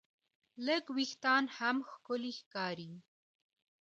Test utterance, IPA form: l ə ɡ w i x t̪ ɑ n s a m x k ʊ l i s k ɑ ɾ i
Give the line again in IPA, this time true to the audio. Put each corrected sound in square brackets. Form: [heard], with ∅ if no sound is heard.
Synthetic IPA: l ə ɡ w i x t̪ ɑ n [h] a m x k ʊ l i [x] k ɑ ɾ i